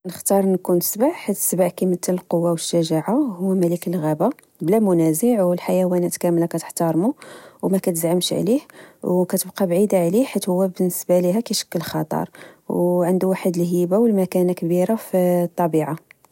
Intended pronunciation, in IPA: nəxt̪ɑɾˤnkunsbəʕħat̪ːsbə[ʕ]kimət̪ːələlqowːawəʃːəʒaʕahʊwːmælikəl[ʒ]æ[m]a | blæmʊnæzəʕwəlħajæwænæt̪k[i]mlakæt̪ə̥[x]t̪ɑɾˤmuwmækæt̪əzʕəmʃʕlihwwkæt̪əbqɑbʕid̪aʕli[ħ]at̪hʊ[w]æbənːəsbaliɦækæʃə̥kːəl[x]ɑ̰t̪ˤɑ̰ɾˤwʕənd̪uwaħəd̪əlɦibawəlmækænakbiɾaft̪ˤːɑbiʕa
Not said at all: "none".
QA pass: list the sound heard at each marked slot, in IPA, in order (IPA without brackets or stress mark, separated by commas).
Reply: ʕ, ɣ, b, æ, ħ, ħ, wː, x